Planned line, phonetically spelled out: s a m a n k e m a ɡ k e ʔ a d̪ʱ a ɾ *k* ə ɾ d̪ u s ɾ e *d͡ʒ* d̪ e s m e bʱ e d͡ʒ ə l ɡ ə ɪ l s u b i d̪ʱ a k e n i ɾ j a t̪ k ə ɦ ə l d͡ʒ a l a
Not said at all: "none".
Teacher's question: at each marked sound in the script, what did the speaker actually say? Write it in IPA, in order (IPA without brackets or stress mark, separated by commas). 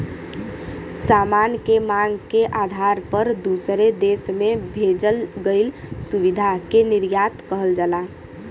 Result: p, none